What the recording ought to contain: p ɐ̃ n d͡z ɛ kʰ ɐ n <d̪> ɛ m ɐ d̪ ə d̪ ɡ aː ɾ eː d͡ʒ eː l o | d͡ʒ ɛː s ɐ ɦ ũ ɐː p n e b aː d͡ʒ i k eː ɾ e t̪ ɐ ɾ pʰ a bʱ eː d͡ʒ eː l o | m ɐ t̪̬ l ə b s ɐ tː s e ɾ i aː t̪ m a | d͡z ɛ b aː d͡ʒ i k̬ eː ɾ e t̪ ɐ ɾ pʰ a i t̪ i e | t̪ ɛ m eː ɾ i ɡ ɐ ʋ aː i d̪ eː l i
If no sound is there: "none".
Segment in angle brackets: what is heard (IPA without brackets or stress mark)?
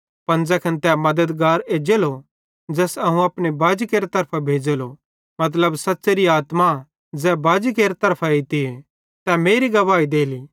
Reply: t̪